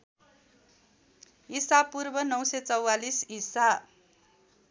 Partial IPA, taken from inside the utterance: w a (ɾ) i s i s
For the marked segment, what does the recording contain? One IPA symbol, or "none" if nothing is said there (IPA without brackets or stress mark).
l